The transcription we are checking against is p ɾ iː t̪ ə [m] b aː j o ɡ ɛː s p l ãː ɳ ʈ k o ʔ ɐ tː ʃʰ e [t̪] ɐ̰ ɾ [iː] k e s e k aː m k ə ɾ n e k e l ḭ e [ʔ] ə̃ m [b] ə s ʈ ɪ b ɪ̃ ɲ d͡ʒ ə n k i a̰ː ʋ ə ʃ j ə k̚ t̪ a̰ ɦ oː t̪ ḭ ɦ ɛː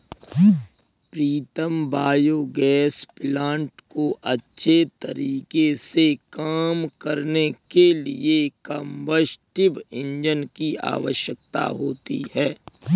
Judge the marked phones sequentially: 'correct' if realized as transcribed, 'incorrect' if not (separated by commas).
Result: correct, correct, correct, incorrect, correct